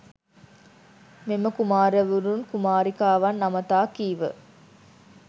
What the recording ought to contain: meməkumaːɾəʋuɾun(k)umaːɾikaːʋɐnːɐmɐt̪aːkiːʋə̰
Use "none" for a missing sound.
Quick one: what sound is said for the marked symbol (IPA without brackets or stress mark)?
k